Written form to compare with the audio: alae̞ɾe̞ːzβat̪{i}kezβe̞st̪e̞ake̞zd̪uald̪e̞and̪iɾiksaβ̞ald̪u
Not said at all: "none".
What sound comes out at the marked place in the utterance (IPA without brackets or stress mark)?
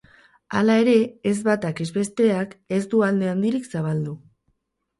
a